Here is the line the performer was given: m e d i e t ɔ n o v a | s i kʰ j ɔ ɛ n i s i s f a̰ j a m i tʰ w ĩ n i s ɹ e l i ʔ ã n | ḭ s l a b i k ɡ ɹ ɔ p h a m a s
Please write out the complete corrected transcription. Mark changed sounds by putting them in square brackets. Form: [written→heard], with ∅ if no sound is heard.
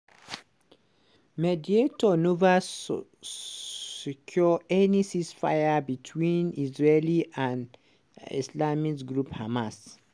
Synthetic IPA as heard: m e d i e t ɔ n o v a | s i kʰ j ɔ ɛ n i s i s f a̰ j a [m→b] i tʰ w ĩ n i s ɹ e l i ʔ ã n | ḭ s l a [b→m] i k ɡ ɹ [ɔ→u] p h a m a s

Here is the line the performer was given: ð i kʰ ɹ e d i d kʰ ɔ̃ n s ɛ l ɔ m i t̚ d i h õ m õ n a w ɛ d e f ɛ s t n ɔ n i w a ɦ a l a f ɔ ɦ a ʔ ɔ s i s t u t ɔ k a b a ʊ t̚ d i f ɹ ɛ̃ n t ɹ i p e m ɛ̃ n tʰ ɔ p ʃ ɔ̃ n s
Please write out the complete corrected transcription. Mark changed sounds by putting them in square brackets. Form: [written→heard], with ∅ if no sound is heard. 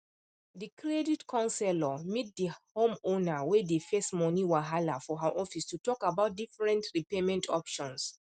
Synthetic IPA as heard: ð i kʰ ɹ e d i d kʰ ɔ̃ n s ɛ l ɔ m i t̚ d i h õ m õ n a w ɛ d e f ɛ s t [n→m] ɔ n i w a ɦ a l a f ɔ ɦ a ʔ ɔ [s→f] i s t u t ɔ k a b a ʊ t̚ d i f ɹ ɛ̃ n t ɹ i p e m ɛ̃ n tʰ ɔ p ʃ ɔ̃ n s

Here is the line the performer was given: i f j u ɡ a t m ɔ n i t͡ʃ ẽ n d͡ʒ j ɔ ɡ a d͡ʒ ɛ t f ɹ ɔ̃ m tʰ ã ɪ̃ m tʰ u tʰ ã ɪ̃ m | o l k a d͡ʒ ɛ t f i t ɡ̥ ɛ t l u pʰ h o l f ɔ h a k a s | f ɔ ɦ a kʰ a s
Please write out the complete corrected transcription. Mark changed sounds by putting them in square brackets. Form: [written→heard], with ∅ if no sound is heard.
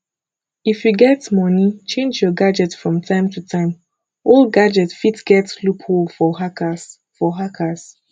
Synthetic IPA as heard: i f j u ɡ [a→ɛ] t m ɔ n i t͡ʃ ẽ n d͡ʒ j ɔ ɡ a d͡ʒ ɛ t f ɹ ɔ̃ m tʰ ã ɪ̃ m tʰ u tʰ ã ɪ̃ m | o l [k→ɡ] a d͡ʒ ɛ t f i t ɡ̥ ɛ t l u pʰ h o l f ɔ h a k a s | f ɔ ɦ a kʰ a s

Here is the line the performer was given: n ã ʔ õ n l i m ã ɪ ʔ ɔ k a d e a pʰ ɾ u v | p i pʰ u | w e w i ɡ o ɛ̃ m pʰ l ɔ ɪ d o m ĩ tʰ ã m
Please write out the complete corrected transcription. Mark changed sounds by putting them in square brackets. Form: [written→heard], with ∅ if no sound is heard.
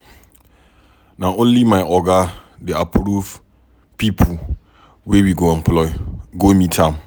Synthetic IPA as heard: n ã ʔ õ n l i m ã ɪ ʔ ɔ [k→ɡ] a d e a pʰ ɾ u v | p i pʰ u | w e w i ɡ o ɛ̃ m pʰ l ɔ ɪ [d→ɡ] o m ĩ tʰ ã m

